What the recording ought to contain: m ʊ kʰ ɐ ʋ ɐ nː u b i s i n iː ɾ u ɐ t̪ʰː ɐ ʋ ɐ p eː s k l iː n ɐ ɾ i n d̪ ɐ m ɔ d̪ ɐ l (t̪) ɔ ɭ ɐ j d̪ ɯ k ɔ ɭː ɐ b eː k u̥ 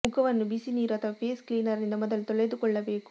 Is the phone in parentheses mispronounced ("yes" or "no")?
no